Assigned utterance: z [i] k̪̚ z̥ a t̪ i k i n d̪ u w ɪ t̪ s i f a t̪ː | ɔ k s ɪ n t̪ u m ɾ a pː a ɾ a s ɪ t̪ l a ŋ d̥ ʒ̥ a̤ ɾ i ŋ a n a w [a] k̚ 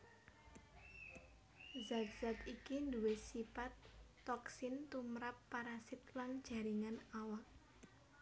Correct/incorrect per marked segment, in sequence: incorrect: a, correct

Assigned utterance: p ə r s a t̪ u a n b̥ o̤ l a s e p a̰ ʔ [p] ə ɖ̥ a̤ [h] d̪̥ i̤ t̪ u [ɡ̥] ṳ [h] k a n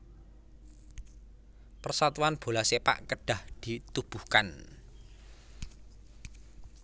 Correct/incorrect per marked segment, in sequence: incorrect: k, correct, incorrect: b̥, correct

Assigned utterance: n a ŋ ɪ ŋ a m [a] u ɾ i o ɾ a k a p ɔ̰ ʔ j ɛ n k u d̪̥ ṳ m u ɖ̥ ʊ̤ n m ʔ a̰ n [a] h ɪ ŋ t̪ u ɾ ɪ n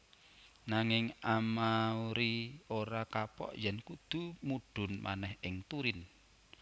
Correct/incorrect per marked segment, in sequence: correct, incorrect: ɛ

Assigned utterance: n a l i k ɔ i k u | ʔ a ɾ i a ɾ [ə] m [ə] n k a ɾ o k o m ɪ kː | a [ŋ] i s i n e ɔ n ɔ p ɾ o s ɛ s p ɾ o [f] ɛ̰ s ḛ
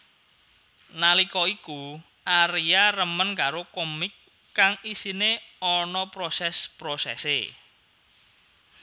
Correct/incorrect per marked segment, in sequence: correct, correct, correct, incorrect: s

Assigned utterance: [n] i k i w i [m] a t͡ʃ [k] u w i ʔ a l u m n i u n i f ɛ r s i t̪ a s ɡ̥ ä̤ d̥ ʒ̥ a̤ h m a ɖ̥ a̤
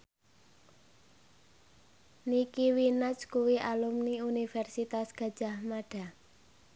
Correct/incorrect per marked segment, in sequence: correct, incorrect: n, correct

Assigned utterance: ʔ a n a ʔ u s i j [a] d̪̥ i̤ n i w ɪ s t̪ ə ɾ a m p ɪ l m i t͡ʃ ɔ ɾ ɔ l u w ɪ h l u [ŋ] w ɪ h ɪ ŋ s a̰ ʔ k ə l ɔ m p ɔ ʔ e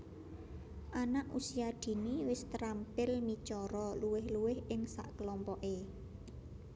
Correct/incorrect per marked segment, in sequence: correct, incorrect: none

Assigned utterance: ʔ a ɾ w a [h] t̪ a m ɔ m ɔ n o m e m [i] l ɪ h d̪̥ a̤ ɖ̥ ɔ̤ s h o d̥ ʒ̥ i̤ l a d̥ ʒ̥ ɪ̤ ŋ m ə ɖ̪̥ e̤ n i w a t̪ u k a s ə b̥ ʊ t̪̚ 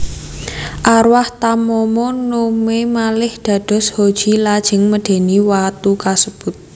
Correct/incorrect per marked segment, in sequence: correct, incorrect: a

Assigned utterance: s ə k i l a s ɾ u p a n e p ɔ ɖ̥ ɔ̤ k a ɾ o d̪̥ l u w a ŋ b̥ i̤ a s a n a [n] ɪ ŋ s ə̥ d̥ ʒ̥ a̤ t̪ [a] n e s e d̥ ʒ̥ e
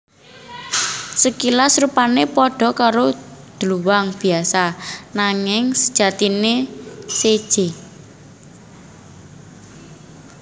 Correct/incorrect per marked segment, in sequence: incorrect: ŋ, incorrect: i

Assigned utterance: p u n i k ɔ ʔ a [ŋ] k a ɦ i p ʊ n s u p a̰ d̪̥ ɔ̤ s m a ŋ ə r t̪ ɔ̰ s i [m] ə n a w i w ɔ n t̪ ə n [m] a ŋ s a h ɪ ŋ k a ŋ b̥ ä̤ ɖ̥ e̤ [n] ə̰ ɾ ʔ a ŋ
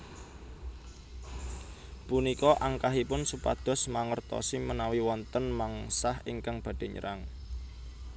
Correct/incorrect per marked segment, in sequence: correct, correct, correct, incorrect: ɲ

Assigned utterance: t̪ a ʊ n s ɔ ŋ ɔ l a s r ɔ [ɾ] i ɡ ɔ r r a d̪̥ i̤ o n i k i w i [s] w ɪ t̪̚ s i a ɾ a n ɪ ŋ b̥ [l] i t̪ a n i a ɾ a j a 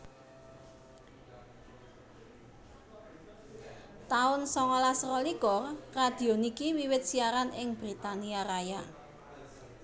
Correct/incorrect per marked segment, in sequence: incorrect: l, incorrect: none, incorrect: ɾ

